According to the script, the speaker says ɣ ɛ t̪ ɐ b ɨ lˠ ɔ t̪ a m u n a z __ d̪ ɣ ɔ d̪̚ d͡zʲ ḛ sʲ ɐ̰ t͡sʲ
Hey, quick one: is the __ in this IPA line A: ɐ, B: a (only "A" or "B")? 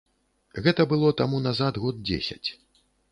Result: B